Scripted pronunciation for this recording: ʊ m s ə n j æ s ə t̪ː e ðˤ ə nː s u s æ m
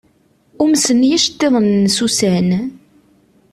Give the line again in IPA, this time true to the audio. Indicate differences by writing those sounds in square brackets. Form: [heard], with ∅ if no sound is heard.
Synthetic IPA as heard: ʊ m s ə n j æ [ʃ] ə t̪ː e ðˤ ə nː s u s æ [n]